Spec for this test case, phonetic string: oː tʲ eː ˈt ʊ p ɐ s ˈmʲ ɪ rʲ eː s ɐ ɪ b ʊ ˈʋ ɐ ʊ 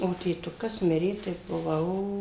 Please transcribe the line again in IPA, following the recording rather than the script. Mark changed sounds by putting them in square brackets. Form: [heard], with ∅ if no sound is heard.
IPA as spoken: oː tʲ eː ˈt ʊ [k] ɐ s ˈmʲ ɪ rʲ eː [t] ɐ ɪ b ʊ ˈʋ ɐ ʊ